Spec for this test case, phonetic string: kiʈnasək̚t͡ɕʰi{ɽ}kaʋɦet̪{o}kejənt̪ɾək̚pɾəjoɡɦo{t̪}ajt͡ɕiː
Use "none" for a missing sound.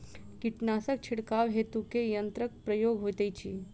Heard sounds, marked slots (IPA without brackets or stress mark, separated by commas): ɽ, u, t̪